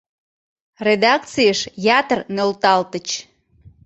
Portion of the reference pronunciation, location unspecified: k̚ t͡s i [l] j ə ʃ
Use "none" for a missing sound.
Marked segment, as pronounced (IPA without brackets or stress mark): none